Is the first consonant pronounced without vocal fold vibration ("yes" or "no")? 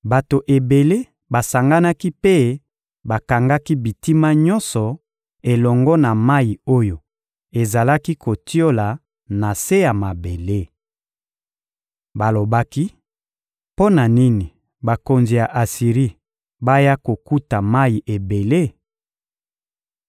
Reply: no